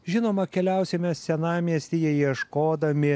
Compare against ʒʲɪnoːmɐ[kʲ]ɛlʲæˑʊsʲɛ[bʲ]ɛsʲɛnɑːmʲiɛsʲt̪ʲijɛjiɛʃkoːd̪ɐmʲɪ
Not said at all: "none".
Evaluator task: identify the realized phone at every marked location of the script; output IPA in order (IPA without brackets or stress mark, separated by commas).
kʲ, mʲ